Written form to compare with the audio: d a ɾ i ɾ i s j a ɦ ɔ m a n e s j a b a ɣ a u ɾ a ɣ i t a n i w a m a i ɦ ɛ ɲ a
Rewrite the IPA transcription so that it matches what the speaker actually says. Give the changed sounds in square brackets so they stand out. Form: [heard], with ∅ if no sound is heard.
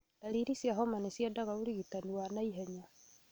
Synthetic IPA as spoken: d a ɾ i ɾ i s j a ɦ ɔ m a n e s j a [d] a ɣ a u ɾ [i] ɣ i t a n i w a [n] a i ɦ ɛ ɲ a